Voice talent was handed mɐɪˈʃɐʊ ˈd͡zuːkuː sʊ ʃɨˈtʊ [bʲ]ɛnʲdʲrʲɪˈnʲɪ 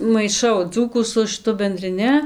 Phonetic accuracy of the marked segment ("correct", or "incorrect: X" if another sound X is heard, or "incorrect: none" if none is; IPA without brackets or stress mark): correct